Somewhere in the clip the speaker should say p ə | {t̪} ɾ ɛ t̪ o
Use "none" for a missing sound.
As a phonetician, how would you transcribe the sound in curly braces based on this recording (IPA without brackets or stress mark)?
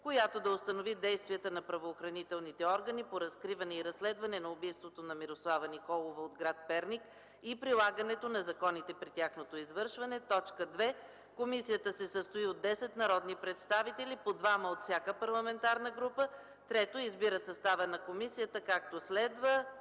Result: t̪